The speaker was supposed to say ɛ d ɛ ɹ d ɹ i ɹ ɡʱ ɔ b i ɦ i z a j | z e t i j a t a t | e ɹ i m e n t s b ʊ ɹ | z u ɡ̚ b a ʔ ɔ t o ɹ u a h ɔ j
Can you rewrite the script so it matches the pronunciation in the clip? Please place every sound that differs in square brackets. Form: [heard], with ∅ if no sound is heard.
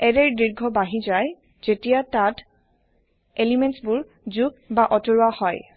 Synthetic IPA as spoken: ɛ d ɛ ɹ d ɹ i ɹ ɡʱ ɔ b [a] ɦ i z a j | z e t i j a t a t | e [l] i m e n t s b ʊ ɹ | z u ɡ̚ b a ʔ ɔ t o ɹ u a h ɔ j